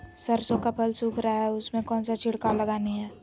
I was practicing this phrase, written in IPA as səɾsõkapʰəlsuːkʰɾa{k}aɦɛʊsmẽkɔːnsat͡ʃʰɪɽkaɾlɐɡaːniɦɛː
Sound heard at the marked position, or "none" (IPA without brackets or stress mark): none